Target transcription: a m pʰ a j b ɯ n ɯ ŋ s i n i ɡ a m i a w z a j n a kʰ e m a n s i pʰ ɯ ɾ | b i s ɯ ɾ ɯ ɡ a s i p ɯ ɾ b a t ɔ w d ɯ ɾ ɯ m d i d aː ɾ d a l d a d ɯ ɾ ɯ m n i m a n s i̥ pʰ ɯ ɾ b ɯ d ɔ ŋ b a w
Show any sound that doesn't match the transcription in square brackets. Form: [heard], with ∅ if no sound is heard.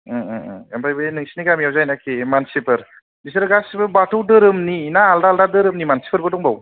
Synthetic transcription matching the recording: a m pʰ a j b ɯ n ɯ ŋ s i n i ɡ a m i a w z a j n a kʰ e m a n s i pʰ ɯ ɾ | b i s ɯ ɾ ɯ ɡ a s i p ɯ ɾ b a t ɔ w d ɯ ɾ ɯ m [n] i [n] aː [l] d a l d a d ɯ ɾ ɯ m n i m a n s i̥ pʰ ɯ ɾ b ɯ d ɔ ŋ b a w